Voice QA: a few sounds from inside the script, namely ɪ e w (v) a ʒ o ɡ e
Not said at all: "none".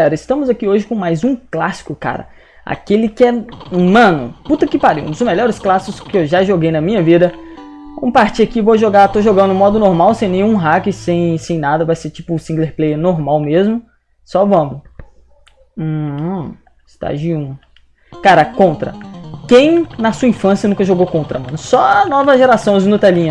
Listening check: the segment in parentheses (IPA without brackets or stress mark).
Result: ʒ